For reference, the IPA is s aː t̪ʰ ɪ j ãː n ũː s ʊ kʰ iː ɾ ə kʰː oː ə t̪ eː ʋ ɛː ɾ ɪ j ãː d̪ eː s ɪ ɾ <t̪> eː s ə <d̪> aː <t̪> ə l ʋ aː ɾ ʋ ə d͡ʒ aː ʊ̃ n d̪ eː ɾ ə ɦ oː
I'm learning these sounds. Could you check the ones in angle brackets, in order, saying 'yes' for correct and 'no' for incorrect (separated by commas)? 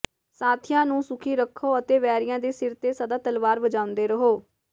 yes, yes, yes